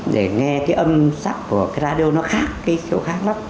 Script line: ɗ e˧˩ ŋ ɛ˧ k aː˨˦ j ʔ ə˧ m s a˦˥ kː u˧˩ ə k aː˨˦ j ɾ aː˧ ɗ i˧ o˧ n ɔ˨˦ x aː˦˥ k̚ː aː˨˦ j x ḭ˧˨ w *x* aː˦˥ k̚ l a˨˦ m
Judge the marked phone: correct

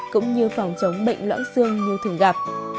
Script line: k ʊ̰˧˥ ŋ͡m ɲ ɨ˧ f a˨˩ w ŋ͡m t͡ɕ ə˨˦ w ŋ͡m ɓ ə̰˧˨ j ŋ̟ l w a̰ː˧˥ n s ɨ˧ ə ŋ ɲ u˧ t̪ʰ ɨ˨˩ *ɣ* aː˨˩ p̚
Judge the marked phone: correct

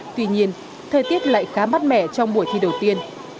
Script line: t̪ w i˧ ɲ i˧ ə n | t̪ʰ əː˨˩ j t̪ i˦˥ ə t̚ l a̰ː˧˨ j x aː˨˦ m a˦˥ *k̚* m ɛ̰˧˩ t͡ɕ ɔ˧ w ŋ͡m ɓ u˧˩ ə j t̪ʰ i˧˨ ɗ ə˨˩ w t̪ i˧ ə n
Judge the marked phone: incorrect: t̚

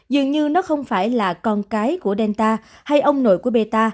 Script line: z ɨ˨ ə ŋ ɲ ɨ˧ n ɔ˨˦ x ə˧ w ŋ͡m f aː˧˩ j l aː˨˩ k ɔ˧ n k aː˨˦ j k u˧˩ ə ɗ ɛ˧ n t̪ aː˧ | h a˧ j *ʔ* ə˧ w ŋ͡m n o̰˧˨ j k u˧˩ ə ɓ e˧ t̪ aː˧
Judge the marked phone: correct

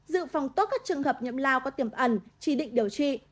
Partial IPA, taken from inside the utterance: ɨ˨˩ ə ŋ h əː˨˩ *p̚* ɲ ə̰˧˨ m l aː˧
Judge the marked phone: correct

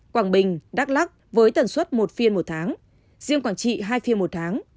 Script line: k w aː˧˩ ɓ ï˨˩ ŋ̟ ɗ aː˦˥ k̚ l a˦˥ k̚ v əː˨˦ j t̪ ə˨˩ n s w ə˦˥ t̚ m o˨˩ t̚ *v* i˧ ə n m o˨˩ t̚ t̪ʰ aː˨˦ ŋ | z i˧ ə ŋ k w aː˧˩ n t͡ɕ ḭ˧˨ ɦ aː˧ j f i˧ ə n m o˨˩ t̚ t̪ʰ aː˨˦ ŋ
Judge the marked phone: incorrect: f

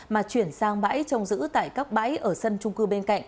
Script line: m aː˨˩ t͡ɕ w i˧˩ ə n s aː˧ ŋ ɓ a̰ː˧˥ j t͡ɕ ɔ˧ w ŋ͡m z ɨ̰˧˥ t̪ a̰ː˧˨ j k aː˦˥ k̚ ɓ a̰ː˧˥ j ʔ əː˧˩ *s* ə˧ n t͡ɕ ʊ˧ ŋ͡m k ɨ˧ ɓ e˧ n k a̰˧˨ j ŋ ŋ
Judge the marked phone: correct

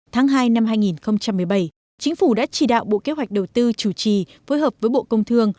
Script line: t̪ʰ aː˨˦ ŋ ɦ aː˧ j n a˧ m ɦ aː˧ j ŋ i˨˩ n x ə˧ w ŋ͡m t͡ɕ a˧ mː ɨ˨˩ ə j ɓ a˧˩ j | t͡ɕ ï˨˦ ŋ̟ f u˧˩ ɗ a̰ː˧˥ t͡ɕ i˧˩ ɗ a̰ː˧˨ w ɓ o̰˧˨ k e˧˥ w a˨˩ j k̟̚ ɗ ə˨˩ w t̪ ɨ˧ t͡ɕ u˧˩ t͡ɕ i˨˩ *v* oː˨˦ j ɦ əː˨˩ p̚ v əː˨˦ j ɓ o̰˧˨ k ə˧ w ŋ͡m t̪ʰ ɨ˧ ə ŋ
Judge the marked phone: incorrect: f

